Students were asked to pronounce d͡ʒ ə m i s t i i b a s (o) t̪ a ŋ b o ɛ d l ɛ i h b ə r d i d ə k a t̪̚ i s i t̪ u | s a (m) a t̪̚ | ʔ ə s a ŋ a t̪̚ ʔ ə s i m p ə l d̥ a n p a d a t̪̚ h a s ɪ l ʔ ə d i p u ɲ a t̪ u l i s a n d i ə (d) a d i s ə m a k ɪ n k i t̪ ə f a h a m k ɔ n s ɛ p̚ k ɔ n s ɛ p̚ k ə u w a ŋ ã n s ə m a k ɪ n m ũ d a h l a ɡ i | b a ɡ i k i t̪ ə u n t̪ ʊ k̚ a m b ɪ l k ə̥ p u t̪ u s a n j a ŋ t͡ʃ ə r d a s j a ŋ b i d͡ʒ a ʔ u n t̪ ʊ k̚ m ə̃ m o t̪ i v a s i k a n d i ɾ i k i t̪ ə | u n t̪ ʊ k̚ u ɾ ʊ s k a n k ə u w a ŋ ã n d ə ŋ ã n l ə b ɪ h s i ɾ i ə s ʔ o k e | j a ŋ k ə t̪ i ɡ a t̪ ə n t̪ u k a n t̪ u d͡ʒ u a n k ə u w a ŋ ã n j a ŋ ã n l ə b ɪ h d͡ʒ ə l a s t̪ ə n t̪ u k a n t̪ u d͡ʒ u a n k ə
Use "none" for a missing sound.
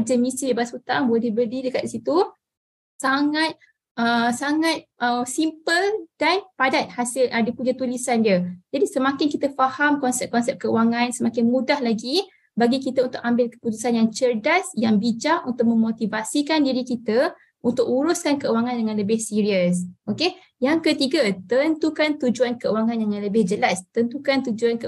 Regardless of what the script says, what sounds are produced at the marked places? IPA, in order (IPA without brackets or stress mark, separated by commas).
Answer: u, ŋ, d͡ʒ